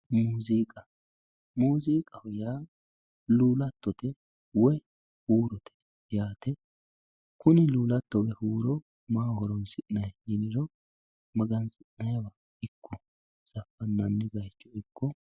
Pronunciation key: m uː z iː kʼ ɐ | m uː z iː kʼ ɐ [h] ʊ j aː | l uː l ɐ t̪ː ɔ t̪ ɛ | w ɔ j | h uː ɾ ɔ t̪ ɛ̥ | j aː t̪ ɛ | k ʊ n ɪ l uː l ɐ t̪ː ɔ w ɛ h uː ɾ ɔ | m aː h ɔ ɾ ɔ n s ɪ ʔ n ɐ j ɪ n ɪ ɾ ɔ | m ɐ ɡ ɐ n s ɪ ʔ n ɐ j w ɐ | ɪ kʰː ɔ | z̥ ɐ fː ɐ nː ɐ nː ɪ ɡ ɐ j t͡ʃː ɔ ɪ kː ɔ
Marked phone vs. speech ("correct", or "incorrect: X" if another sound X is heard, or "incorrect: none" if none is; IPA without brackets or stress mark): correct